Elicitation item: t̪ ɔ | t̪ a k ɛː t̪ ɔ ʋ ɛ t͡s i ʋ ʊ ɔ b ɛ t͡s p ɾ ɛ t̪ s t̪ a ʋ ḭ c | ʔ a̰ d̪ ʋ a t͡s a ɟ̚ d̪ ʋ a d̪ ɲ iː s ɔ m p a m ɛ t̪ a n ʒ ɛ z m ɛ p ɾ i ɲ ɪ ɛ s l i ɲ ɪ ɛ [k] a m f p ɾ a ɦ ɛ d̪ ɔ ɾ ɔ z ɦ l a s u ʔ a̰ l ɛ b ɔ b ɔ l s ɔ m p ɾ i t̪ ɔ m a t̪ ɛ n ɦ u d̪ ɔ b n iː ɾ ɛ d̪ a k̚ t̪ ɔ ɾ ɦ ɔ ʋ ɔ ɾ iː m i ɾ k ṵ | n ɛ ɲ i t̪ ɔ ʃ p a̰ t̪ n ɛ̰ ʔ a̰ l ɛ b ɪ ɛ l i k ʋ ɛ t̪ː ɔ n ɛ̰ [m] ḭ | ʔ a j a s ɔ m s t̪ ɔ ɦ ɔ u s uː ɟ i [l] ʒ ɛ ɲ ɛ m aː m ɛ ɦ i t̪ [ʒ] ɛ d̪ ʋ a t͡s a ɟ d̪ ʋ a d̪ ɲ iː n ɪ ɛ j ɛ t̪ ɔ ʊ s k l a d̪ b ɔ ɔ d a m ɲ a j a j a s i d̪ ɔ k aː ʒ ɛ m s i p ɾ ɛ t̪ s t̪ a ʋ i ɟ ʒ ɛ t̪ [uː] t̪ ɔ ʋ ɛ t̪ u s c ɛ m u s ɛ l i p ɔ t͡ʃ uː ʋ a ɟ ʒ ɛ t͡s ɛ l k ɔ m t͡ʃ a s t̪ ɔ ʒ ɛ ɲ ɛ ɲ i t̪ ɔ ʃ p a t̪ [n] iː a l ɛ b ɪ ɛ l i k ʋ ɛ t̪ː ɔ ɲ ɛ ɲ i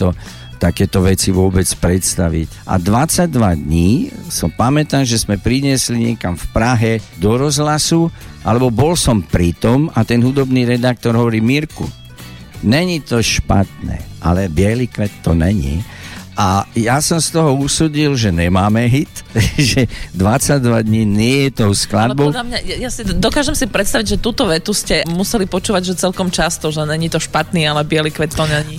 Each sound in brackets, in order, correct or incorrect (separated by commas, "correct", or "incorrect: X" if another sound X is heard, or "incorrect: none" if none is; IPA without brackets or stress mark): correct, incorrect: ɲ, correct, correct, correct, correct